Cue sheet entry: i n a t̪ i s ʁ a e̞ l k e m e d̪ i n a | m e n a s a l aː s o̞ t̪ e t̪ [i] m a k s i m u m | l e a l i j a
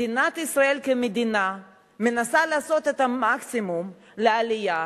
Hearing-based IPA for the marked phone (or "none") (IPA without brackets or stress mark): a